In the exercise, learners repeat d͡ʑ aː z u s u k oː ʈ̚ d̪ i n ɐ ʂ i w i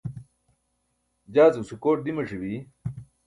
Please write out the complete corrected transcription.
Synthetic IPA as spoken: d͡ʑ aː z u s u k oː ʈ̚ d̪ i m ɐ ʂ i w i